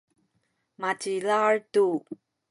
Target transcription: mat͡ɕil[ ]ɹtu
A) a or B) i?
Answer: A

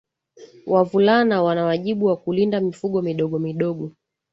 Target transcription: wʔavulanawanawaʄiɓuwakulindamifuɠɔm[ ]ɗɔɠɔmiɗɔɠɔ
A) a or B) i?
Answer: B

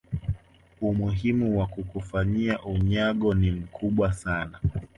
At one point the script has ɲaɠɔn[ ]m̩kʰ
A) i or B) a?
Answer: A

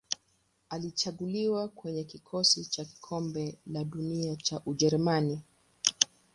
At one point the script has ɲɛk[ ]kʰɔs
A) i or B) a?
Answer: A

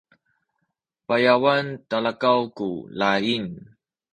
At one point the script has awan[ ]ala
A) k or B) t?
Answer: B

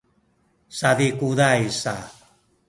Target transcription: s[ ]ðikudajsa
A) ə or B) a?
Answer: B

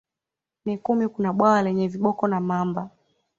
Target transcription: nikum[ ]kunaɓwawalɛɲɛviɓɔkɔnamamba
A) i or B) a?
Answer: A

